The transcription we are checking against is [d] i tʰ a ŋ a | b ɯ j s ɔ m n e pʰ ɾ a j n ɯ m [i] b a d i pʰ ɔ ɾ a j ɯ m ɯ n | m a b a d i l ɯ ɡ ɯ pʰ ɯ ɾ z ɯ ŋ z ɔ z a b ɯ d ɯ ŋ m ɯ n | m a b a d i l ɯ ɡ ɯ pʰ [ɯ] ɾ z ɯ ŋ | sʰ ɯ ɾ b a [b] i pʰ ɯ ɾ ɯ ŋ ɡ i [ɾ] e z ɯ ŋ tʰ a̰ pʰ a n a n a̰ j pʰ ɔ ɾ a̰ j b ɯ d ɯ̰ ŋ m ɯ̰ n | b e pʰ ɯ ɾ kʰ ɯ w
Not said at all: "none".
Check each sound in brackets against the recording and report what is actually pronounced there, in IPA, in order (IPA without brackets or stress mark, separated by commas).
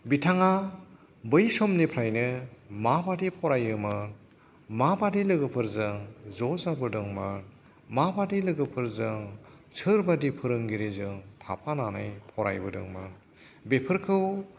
b, a, ɯ, d, ɾ